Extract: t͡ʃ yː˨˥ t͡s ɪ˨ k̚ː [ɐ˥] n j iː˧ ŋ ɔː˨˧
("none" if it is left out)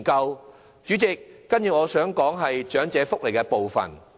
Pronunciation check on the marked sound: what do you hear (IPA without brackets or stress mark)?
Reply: ɐ˥